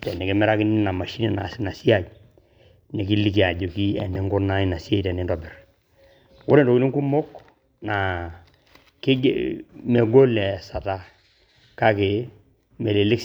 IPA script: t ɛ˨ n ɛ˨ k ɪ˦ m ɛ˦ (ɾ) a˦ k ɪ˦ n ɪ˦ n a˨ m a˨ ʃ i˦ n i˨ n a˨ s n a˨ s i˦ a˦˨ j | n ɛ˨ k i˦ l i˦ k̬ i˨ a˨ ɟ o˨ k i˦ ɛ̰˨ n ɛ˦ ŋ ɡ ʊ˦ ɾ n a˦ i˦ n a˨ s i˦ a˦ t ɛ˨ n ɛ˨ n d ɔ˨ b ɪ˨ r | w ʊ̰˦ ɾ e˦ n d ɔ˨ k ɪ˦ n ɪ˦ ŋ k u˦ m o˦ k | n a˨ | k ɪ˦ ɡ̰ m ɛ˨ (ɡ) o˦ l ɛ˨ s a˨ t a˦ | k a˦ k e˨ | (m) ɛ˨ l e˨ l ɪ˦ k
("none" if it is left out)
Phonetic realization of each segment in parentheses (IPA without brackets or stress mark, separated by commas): ɾ, ɡ, m